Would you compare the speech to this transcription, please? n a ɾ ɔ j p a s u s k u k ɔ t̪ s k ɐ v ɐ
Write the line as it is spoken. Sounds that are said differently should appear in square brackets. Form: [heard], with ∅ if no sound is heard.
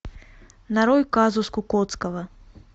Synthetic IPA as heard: n a ɾ ɔ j [k] a [z] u s k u k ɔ t̪ s k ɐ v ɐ